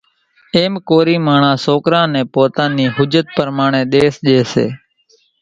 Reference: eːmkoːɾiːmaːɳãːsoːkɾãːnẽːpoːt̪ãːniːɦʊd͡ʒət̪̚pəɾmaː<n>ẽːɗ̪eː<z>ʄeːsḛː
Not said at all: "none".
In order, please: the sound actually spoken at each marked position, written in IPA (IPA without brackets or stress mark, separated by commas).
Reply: ɳ, s